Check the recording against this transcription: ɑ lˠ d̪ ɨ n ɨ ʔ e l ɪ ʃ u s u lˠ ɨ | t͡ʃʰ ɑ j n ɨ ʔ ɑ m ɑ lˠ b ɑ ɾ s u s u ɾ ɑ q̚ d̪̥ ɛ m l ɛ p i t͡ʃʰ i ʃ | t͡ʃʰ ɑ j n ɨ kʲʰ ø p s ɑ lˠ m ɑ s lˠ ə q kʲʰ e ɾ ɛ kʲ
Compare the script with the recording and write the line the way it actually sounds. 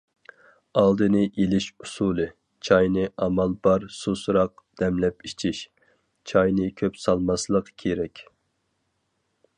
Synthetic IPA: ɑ lˠ d̪ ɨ n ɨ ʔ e l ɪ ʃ u s u lˠ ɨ | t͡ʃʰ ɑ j n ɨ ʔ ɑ m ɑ lˠ b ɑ ɾ s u s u ɾ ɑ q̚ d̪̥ ɛ m l ɛ p i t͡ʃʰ i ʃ | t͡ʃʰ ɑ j n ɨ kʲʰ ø p s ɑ lˠ m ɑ s lˠ ə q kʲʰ e ɾ ɛ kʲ